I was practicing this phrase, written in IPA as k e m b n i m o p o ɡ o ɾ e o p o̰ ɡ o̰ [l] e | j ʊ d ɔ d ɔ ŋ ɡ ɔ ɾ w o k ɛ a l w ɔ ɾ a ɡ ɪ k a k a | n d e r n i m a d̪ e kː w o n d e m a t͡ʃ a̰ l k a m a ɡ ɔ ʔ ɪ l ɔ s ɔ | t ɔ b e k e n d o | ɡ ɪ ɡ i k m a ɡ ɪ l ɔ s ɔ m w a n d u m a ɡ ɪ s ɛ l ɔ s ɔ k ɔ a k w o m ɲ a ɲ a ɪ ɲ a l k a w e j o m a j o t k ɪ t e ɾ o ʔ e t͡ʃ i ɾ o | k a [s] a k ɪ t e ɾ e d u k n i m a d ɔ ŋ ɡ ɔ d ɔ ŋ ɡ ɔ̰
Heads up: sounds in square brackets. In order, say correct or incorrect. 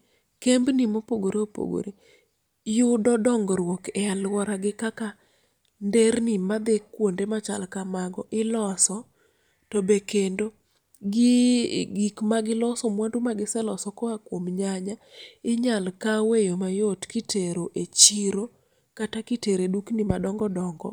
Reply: incorrect, incorrect

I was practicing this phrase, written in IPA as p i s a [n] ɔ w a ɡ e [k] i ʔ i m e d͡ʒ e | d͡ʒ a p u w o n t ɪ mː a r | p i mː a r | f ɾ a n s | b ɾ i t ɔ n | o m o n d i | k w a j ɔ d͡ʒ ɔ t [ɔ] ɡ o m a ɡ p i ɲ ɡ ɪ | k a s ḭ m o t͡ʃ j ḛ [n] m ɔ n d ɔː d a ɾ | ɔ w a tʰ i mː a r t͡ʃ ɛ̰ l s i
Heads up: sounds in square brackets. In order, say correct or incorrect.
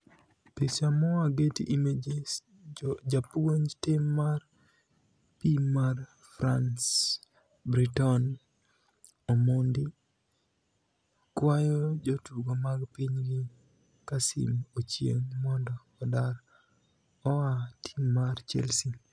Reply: incorrect, incorrect, incorrect, incorrect

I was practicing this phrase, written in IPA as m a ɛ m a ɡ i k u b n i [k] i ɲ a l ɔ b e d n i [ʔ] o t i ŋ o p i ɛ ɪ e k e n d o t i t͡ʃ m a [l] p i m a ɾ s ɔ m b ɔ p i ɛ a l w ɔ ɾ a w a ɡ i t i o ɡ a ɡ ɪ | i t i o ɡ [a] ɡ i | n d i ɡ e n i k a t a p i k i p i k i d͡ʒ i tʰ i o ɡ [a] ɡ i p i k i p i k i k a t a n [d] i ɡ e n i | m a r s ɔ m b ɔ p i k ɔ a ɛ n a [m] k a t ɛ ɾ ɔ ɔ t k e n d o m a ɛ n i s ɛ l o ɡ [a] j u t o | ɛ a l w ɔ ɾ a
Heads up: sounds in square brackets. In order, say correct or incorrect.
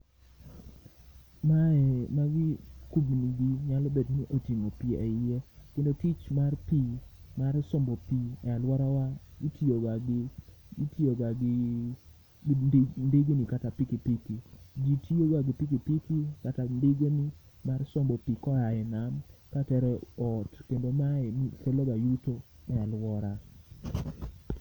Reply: incorrect, correct, incorrect, correct, correct, correct, correct, correct

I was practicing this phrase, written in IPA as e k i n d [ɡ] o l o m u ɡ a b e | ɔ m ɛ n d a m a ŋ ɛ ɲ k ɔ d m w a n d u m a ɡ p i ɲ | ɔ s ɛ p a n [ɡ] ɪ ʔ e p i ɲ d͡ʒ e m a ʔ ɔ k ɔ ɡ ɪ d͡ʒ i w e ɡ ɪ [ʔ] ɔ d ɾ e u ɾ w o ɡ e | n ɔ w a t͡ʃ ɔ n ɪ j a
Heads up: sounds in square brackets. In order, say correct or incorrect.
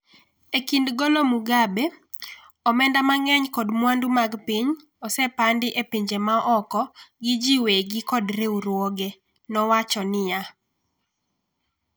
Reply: correct, incorrect, incorrect

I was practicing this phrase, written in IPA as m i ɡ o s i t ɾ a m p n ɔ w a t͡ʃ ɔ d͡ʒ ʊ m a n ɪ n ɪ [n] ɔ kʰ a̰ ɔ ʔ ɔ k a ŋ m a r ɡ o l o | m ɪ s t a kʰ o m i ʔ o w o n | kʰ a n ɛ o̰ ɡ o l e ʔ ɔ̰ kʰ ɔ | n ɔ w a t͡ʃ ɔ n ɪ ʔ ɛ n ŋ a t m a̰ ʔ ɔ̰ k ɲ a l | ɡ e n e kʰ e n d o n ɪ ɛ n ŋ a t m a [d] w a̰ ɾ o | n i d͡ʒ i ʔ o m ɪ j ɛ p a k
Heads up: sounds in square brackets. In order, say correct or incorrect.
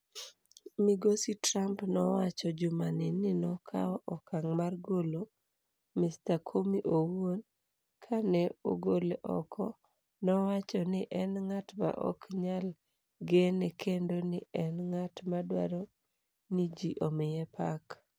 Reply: correct, correct

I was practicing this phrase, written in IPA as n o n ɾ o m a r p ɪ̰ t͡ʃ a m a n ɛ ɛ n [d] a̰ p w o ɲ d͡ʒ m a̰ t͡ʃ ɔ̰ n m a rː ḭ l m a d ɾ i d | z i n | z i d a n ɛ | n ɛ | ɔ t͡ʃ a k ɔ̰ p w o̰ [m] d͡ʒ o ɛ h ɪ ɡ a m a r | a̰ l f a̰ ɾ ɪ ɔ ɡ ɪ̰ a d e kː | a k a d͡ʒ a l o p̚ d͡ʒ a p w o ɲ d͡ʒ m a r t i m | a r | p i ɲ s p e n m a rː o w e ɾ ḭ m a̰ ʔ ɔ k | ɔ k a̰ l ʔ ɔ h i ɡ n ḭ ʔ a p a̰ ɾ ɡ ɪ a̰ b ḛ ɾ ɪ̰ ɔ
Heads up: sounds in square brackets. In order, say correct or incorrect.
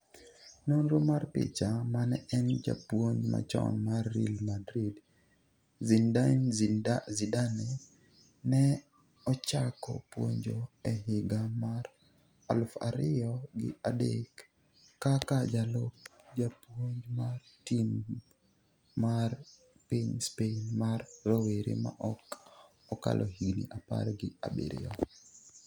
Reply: incorrect, incorrect

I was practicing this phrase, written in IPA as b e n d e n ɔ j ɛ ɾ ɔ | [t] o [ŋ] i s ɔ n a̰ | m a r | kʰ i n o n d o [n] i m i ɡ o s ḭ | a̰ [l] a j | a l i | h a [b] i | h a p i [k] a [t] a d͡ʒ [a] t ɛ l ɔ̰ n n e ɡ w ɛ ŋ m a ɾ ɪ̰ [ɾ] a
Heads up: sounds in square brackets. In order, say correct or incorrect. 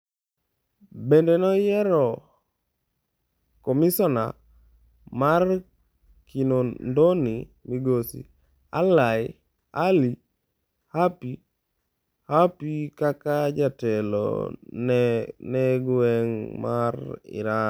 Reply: incorrect, incorrect, correct, correct, incorrect, correct, incorrect, correct, correct

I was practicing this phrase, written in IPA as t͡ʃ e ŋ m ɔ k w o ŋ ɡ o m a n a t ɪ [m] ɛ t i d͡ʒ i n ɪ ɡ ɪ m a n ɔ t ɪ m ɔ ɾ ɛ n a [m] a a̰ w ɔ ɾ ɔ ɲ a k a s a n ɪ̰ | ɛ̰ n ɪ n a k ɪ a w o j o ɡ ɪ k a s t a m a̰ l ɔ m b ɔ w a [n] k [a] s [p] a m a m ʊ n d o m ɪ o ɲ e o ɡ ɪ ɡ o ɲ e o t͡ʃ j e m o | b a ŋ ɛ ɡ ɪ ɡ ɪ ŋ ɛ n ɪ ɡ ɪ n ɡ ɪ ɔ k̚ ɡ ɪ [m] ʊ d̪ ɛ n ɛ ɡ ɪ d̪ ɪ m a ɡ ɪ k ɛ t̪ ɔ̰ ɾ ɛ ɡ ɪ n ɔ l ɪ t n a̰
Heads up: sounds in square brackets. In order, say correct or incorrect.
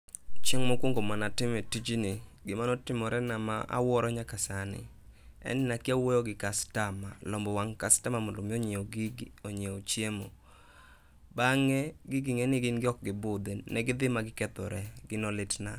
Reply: correct, correct, incorrect, correct, incorrect, incorrect

